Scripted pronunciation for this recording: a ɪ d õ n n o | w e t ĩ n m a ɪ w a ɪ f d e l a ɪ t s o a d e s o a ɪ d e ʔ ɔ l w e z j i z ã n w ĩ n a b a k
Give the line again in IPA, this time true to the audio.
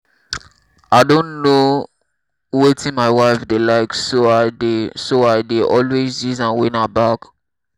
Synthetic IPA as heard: a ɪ d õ n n o | w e t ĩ n m a ɪ w a ɪ f d e l a ɪ k s o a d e s o a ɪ d e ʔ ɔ l w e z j i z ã n w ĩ n a b a k